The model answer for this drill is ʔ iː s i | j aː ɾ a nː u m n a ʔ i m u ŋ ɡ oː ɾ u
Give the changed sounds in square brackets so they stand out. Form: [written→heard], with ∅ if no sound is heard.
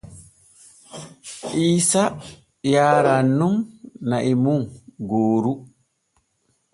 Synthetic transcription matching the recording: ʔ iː s [i→a] | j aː ɾ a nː u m n a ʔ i m u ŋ ɡ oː ɾ u